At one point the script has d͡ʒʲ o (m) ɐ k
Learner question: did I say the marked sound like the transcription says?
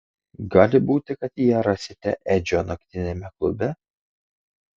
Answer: no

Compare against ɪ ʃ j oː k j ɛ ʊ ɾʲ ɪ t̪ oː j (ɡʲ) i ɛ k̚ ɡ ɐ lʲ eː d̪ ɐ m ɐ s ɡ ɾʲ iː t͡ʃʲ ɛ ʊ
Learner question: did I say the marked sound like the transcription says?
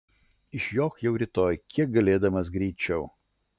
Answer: no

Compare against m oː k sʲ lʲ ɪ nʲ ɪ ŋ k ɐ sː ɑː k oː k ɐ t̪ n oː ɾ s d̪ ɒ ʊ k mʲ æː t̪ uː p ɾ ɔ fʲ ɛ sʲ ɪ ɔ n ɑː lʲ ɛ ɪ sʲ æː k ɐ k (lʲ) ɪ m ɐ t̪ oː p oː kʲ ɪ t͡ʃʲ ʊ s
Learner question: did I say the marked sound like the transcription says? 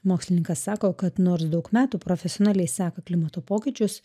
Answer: yes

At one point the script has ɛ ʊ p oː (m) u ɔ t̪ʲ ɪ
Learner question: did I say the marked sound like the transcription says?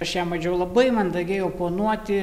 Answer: no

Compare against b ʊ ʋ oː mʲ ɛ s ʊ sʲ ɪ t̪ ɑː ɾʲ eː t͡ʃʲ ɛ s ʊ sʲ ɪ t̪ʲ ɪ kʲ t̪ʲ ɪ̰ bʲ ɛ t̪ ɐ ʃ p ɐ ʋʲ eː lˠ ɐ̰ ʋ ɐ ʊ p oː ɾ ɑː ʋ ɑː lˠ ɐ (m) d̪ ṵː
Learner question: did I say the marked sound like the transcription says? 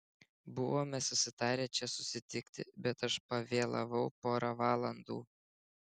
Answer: no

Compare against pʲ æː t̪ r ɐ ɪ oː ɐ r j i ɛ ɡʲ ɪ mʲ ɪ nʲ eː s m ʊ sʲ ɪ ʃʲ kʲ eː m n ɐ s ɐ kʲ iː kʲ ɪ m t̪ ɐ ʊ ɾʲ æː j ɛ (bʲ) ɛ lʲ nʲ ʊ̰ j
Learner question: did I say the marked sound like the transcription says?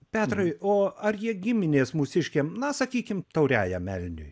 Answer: no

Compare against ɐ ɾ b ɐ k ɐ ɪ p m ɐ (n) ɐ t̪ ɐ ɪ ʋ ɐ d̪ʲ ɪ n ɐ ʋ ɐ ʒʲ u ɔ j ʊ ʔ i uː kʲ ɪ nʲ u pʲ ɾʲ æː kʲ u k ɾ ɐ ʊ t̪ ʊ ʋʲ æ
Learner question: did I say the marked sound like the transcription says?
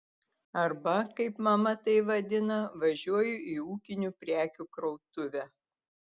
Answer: no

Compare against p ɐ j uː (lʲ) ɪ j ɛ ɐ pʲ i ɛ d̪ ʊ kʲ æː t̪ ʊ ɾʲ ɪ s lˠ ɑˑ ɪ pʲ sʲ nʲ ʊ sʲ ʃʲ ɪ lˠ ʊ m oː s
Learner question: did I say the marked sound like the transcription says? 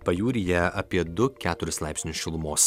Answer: no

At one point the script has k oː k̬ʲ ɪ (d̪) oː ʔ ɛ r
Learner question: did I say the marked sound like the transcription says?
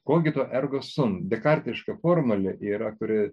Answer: no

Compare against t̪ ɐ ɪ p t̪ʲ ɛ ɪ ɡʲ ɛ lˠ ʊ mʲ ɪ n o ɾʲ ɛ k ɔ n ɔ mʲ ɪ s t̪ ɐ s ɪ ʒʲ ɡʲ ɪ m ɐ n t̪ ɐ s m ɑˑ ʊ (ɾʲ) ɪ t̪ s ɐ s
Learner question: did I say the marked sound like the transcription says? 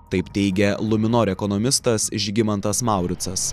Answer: yes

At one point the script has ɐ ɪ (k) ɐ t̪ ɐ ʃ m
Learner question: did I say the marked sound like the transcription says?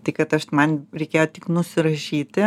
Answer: yes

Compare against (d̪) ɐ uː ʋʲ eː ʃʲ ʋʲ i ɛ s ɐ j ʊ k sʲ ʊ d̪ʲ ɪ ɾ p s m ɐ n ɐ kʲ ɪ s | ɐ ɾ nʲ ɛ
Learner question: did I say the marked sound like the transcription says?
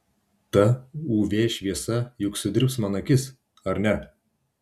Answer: no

